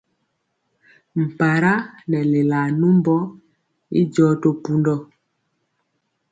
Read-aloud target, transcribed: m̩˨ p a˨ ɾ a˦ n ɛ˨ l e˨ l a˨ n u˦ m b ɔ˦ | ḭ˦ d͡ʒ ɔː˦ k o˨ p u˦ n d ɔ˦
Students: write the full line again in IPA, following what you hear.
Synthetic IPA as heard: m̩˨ p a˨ ɾ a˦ n ɛ˨ l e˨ l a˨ n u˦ m b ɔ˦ | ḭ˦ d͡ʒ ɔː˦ t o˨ p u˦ n d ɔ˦

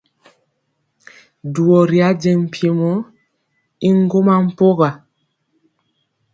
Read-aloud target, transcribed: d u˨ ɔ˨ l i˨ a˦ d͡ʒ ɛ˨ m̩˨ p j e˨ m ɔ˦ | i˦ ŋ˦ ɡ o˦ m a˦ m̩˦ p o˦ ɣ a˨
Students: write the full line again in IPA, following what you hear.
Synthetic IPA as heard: d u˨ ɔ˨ ɾ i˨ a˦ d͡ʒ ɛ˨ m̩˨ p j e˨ m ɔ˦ | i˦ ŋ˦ ɡ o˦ m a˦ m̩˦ p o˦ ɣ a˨

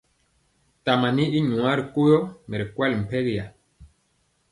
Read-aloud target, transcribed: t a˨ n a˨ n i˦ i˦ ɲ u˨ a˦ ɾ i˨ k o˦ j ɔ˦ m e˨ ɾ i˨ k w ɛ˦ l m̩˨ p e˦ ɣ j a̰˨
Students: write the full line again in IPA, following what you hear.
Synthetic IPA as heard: t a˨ m a˨ n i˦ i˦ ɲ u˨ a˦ ɾ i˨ k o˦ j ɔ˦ m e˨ ɾ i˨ k w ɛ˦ l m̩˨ p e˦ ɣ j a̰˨

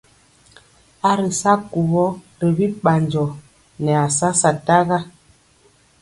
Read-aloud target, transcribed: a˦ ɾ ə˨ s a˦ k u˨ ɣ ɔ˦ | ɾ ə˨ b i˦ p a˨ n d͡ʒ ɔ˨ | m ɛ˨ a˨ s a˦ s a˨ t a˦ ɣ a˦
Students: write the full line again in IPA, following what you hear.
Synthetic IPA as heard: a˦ ɾ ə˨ s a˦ k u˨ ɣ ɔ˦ | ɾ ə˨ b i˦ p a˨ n d͡ʒ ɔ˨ | n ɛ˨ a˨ s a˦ s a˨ t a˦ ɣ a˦

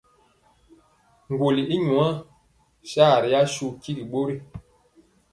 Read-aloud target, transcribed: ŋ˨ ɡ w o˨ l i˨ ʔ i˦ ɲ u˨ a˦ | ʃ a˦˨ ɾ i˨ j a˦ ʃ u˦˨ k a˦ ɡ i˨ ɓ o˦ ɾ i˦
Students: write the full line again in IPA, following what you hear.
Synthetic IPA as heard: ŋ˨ ɡ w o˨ l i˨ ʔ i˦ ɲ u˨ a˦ | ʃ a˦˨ ɾ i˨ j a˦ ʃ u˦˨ k i˦ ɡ i˨ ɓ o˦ ɾ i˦

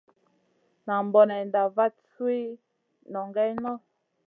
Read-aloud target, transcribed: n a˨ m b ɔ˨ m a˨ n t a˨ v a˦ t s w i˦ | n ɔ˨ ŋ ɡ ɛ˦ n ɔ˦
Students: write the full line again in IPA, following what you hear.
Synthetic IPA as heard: n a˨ m b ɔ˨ n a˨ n d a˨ v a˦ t s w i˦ | n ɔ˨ ŋ ɡ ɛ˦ n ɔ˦

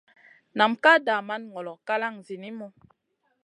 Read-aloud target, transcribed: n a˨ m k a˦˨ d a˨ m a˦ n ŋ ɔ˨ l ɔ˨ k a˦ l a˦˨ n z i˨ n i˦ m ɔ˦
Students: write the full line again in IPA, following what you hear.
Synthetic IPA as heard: n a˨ m k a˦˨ d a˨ m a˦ n ŋ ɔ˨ l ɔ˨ k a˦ l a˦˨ ŋ z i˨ n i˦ m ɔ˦

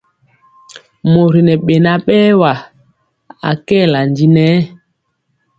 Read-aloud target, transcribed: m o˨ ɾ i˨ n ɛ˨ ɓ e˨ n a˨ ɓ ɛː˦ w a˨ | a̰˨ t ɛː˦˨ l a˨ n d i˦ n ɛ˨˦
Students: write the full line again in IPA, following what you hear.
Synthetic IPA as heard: m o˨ ɾ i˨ n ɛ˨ ɓ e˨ n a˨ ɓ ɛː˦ w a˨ | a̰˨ k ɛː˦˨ l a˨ n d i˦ n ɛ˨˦

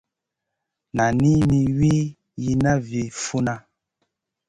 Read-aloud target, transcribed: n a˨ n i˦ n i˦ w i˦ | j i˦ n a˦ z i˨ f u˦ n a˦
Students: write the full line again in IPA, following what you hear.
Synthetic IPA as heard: n a˨ n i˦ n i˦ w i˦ | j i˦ n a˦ v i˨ f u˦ n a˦

